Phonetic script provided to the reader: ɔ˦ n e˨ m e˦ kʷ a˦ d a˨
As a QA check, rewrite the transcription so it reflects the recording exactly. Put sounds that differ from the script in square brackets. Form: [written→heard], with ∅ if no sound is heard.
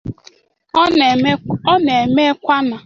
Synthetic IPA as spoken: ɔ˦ n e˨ m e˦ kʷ a˦ [d→n] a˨